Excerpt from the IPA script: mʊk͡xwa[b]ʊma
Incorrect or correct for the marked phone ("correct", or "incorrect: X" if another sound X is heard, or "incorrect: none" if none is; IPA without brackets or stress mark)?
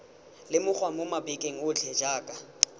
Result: incorrect: m